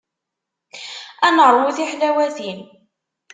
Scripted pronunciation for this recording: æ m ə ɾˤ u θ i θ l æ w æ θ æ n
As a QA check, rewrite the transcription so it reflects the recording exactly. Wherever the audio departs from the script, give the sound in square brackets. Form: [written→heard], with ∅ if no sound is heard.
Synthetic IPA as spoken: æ [m→n] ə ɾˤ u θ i [θ→ħ] l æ w æ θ [æ→i] n